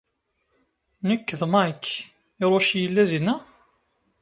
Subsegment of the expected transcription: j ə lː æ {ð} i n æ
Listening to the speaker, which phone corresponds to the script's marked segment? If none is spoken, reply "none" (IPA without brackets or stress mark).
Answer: ð